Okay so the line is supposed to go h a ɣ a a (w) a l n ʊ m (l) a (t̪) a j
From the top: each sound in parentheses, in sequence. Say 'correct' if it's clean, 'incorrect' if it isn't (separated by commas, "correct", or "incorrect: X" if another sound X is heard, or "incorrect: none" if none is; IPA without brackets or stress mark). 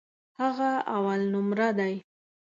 correct, incorrect: ɾ, incorrect: d̪